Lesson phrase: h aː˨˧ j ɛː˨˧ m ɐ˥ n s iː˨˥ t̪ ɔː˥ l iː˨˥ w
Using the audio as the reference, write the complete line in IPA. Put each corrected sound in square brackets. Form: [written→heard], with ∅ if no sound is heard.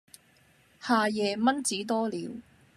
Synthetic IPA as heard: h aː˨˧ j ɛː˨˧ m ɐ˥ n [s→t͡s] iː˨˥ t̪ ɔː˥ l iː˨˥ w